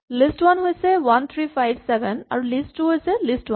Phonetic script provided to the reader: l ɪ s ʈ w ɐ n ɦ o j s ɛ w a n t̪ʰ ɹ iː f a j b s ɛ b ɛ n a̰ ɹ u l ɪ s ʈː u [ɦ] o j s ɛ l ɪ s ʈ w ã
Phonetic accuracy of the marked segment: correct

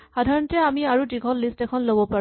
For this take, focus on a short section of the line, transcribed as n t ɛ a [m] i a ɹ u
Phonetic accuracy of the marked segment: correct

